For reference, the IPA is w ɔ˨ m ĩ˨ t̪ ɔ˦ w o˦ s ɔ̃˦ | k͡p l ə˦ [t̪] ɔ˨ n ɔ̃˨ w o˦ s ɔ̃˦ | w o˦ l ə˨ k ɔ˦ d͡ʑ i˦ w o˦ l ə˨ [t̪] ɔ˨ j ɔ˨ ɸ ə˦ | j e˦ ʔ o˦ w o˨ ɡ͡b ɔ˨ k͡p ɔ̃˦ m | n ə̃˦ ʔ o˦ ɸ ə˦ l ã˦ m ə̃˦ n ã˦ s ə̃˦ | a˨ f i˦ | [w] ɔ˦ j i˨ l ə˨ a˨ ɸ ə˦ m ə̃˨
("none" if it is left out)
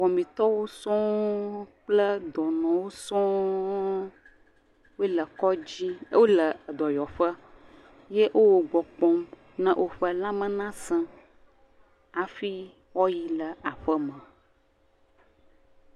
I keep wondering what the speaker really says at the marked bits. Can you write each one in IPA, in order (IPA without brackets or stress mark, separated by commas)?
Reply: d̪, d̪, w